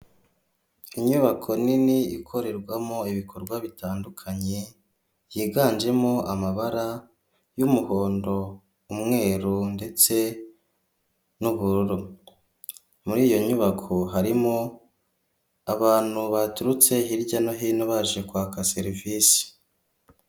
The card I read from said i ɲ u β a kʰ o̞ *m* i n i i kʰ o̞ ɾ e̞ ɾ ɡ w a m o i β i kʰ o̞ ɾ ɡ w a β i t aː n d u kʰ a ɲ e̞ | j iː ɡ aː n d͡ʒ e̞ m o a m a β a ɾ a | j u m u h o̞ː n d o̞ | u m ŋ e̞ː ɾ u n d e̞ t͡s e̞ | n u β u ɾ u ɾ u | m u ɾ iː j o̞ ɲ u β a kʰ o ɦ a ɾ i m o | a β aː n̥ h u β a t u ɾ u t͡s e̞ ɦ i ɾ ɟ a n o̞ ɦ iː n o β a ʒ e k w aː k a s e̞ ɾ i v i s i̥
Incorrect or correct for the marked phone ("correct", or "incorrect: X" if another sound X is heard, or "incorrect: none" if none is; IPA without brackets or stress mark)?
incorrect: n